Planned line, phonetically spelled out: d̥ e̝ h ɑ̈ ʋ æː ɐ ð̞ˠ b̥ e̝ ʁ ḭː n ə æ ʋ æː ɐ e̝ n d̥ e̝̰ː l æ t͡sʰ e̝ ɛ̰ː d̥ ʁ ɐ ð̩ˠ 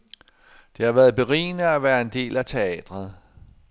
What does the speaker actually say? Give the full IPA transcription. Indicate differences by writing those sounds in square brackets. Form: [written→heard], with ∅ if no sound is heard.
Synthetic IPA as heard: d̥ e̝ h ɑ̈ ʋ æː ɐ ð̞ˠ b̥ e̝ ʁ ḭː n ə æ ʋ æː ɐ e̝ n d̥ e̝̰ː l æ t͡sʰ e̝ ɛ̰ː d̥ ʁ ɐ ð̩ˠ

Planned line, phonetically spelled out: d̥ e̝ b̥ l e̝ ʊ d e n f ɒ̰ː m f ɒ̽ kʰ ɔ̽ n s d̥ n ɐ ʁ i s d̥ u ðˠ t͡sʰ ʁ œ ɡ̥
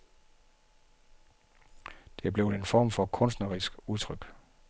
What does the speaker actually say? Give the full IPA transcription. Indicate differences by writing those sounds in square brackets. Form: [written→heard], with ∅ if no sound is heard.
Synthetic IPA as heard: d̥ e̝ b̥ l e̝ ʊ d e n f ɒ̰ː m f ɒ̽ kʰ ɔ̽ n s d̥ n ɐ ʁ i s [d̥→ɡ̥] u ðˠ t͡sʰ ʁ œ ɡ̥

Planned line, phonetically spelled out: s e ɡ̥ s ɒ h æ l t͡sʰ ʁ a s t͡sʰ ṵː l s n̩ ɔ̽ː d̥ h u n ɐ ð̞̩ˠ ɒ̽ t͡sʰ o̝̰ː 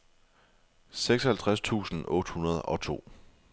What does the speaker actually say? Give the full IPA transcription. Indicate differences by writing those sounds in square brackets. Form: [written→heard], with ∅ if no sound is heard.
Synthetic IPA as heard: s e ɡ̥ s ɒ h æ l t͡sʰ ʁ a s t͡sʰ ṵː [l→∅] s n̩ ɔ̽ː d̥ h u n ɐ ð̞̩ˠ ɒ̽ t͡sʰ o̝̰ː

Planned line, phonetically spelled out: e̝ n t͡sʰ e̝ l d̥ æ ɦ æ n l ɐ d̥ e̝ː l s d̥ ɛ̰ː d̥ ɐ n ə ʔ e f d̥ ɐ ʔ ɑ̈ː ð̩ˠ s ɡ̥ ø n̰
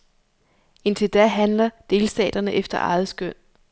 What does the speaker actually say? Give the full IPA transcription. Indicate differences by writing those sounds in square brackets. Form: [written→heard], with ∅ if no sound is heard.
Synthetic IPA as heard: e̝ n t͡sʰ e̝ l d̥ æ ɦ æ n l ɐ d̥ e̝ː l s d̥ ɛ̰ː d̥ ɐ n ə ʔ e f d̥ ɐ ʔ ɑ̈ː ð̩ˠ s ɡ̥ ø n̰

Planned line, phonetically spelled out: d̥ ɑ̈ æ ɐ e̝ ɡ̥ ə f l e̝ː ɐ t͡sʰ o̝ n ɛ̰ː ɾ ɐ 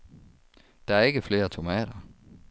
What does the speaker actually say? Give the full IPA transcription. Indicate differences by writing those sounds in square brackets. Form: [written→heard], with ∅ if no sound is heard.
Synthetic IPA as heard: d̥ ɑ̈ æ ɐ e̝ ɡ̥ ə f l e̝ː ɐ t͡sʰ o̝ [n→m] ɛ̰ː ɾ ɐ

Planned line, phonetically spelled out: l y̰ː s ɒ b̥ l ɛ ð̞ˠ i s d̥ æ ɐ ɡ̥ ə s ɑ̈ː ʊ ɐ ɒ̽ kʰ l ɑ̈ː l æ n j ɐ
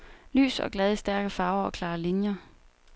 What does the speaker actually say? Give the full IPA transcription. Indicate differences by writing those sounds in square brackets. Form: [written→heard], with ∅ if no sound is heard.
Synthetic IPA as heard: l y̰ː s ɒ [b̥→ɡ̥] l ɛ ð̞ˠ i s d̥ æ ɐ ɡ̥ ə [s→f] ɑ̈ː ʊ ɐ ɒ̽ kʰ l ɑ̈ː l [æ→i] n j ɐ

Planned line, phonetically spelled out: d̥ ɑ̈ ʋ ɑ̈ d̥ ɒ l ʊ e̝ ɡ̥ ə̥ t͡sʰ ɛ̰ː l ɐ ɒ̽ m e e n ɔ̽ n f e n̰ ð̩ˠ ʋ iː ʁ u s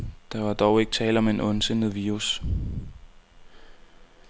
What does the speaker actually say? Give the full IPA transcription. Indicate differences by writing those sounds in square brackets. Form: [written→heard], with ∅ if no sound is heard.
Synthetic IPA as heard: d̥ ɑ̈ ʋ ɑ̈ d̥ ɒ [l→∅] ʊ e̝ ɡ̥ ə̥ t͡sʰ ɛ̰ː l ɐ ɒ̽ m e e n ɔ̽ n [f→s] e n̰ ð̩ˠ ʋ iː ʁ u s

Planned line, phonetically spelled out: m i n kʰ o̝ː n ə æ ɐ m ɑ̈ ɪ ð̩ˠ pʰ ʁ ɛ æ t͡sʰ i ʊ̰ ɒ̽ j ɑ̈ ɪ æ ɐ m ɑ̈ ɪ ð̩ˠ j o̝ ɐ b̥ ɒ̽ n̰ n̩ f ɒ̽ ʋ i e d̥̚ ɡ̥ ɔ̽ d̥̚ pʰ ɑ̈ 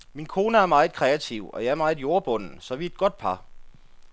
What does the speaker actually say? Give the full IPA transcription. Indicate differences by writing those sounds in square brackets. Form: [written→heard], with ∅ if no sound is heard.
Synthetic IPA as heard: m i n kʰ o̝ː n ə æ ɐ m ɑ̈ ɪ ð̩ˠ [pʰ→kʰ] ʁ ɛ æ t͡sʰ i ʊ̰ ɒ̽ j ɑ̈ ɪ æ ɐ m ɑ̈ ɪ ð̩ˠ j o̝ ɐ b̥ [ɒ̽→ɔ̽] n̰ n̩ [f→s] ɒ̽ ʋ i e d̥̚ ɡ̥ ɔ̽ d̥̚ pʰ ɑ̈

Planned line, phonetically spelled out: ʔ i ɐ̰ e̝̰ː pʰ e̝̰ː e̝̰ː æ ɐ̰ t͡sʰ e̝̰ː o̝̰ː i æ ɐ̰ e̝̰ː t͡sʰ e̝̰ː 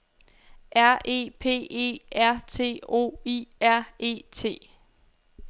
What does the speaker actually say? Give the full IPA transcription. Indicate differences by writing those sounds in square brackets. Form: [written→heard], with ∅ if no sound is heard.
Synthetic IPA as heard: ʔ [i→æ] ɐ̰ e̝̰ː pʰ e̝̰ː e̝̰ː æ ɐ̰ t͡sʰ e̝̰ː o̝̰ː i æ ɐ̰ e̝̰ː t͡sʰ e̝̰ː

